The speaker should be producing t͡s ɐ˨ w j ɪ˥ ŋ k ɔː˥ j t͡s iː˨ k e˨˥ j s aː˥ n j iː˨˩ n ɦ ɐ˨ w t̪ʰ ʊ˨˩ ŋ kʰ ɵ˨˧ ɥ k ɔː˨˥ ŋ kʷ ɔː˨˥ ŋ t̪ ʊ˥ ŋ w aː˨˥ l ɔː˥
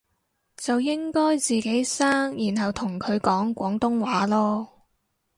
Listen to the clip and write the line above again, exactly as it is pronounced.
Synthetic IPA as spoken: t͡s ɐ˨ w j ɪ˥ ŋ k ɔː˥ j t͡s iː˨ k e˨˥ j s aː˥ ŋ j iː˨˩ n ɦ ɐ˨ w t̪ʰ ʊ˨˩ ŋ kʰ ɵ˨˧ ɥ k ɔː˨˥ ŋ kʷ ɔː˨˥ ŋ t̪ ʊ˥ ŋ w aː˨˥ l ɔː˥